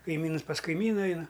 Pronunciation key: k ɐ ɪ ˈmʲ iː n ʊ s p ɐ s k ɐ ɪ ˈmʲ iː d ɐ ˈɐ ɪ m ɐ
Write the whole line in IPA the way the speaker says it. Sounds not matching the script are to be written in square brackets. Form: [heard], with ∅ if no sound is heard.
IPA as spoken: k ɐ ɪ ˈmʲ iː n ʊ s p ɐ s k ɐ ɪ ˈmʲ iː [n] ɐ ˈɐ ɪ [n] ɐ